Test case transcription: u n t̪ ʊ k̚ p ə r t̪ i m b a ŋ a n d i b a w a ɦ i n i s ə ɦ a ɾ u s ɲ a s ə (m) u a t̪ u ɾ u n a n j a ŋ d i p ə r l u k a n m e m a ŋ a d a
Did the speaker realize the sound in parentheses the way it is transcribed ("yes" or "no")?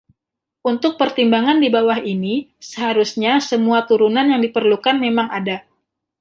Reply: yes